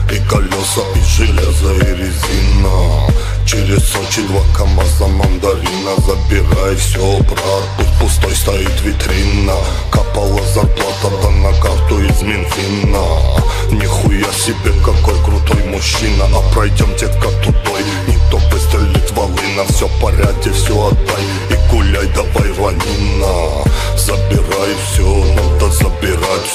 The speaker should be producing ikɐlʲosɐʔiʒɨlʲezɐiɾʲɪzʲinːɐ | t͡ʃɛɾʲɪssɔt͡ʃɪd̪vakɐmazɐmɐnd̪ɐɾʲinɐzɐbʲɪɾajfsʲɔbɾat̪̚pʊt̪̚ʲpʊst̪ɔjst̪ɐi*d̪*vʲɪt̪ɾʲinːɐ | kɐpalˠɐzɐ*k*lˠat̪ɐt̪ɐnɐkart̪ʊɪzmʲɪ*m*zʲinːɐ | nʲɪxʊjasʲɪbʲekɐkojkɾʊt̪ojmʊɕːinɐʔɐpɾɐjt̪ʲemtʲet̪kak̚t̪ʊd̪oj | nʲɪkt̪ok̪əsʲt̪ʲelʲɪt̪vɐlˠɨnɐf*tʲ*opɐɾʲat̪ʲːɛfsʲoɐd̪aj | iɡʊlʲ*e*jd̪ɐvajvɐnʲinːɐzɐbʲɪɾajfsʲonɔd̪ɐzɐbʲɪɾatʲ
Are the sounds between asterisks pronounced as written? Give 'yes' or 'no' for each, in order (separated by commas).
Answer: no, no, no, no, no